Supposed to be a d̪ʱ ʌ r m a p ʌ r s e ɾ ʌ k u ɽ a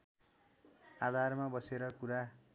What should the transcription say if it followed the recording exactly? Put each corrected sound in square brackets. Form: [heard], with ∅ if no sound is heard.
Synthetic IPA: a d̪ʱ [a] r m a [b] ʌ [∅] s e ɾ ʌ k u [ɾ] a

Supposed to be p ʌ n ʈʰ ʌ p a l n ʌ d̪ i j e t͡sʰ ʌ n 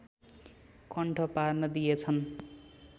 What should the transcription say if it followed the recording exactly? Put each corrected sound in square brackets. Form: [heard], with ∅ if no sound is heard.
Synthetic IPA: [k] ʌ [ɳ] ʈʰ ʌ p a [r] n ʌ d̪ i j e t͡sʰ ʌ n

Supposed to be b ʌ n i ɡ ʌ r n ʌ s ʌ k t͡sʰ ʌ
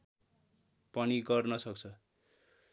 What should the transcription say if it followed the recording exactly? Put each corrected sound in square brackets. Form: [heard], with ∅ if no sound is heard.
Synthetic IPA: [p] ʌ n i ɡ ʌ r n ʌ s ʌ k t͡sʰ ʌ

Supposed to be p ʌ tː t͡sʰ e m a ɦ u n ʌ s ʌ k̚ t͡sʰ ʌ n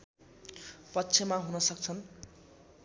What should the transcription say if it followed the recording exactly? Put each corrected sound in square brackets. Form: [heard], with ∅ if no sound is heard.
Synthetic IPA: p ʌ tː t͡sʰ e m a ɦ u n ʌ s ʌ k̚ t͡sʰ ʌ n

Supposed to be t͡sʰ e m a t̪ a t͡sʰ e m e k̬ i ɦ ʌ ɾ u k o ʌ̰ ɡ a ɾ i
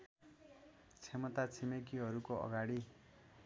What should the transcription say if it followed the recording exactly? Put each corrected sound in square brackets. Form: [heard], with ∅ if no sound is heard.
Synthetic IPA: t͡sʰ e m [ʌ] t̪ a t͡sʰ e m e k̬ i ɦ ʌ ɾ u k o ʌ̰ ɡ a [ɽ] i

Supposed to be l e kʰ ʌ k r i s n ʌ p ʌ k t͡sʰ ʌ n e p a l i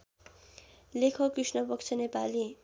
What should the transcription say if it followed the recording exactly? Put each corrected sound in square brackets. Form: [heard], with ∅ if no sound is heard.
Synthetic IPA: l e kʰ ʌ k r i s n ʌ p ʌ k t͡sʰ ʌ n e p a l i

